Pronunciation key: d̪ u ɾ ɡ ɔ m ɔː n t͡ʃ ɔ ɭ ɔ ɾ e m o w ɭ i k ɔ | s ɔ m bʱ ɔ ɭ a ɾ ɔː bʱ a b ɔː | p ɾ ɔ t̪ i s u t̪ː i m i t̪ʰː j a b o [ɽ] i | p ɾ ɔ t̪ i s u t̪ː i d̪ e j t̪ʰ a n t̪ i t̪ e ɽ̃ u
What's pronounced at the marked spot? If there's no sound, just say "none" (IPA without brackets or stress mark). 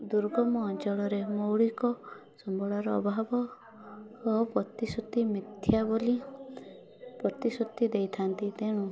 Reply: l